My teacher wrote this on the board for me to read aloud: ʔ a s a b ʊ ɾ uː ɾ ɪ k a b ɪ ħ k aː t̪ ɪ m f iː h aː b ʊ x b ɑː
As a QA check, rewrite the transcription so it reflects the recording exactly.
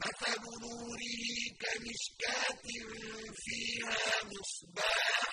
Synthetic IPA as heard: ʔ a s a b ʊ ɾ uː ɾ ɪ k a m ɪ ʃ k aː t̪ ɪ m f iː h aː m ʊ s b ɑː